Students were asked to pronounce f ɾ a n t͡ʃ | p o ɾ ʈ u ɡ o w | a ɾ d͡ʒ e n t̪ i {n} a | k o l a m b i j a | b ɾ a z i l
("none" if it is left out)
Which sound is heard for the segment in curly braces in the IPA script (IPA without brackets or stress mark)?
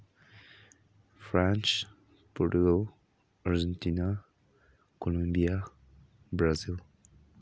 n